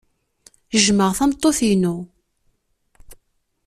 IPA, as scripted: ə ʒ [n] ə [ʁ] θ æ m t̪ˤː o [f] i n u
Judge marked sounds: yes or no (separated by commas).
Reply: no, yes, no